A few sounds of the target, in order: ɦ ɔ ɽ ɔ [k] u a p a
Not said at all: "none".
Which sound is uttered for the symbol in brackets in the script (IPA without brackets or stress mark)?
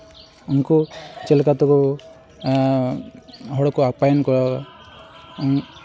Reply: k